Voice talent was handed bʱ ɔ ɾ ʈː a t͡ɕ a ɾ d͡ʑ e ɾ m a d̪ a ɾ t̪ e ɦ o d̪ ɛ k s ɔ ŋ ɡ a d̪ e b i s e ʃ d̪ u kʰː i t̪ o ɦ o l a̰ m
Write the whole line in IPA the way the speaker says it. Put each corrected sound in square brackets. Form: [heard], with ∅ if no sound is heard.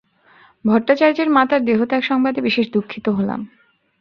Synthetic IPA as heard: bʱ ɔ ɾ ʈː a t͡ɕ a ɾ d͡ʑ e ɾ m a [t̪] a ɾ [d̪] e ɦ o [t̪] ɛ k [ʃ] ɔ ŋ [b] a d̪ e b i [ʃ] e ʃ d̪ u kʰː i t̪ o ɦ o l a̰ m